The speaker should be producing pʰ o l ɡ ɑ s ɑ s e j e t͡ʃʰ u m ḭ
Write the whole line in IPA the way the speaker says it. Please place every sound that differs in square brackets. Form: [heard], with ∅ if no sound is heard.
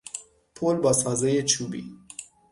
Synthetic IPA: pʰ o l [b] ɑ s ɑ [z] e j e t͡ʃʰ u [b] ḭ

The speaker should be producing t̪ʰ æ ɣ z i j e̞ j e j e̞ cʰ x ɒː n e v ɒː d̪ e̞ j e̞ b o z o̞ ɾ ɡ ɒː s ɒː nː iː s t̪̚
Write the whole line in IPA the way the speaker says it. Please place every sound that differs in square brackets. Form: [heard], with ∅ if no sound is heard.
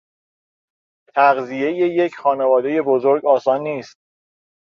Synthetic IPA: t̪ʰ æ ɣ z i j e̞ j e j e̞ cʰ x ɒː n e v ɒː d̪ e̞ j e̞ b o z o̞ ɾ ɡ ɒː s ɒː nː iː s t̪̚

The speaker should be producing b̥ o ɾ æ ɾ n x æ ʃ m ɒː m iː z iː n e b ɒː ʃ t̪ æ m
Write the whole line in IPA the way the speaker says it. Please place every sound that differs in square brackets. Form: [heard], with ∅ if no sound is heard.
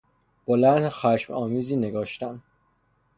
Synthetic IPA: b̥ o [l] æ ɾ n x æ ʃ m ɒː m iː z iː n e [ɡ] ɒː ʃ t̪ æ [n]

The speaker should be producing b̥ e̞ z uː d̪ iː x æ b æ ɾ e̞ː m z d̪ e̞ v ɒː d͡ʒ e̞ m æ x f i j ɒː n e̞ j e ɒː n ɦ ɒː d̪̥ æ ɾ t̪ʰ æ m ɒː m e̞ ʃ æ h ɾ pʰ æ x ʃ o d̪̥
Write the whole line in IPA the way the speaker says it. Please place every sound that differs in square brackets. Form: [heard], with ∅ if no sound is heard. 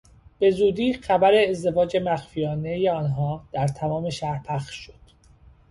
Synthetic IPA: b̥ e̞ z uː d̪ iː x æ b æ ɾ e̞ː [∅] z d̪ e̞ v ɒː d͡ʒ e̞ m æ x f i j ɒː n e̞ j e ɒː n ɦ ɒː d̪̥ æ ɾ t̪ʰ æ m ɒː m e̞ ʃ æ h ɾ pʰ æ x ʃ o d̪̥

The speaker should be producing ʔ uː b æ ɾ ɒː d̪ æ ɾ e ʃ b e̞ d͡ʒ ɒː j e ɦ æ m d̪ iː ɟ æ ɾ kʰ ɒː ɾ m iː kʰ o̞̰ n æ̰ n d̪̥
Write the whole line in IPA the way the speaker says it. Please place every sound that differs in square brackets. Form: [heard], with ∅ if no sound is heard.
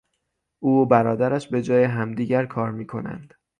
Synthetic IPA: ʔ uː b æ ɾ ɒː d̪ æ ɾ [æ] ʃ b e̞ d͡ʒ ɒː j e ɦ æ m d̪ iː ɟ æ ɾ kʰ ɒː ɾ m iː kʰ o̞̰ n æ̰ n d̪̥

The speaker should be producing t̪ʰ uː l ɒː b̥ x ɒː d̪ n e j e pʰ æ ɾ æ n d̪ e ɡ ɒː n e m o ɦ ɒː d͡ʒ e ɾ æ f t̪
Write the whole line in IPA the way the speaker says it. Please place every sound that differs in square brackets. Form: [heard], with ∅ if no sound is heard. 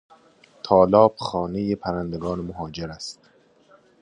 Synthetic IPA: t̪ʰ [ɒː] l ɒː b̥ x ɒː [∅] n e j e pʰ æ ɾ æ n d̪ e ɡ ɒː n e m o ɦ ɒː d͡ʒ e ɾ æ [s] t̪

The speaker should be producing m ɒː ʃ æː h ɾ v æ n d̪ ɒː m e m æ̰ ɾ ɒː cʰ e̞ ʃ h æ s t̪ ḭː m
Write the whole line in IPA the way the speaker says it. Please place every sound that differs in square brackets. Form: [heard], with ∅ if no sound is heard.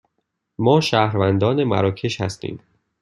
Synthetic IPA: m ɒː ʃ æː h ɾ v æ n d̪ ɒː [n] e m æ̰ ɾ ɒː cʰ e̞ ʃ h æ s t̪ ḭː m

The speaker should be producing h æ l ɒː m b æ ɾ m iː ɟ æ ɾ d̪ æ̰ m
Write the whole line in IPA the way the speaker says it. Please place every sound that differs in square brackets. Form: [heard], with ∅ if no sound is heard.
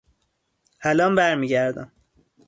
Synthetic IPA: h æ l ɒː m b æ ɾ m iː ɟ æ ɾ d̪ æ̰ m

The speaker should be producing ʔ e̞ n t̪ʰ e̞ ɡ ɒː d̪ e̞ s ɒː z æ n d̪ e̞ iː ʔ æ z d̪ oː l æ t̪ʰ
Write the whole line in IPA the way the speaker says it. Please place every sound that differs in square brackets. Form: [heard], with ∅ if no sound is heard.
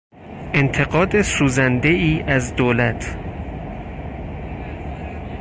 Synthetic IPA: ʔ e̞ n t̪ʰ e̞ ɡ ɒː d̪ e̞ s [uː] z æ n d̪ e̞ iː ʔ æ z d̪ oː l æ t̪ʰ

